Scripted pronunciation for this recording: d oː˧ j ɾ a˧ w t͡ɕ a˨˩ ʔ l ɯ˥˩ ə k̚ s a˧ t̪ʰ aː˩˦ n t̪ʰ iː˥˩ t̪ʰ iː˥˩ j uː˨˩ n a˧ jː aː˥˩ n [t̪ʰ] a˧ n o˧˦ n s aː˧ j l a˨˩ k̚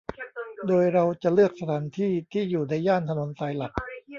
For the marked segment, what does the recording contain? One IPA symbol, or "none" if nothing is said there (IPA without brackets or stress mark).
t̪ʰ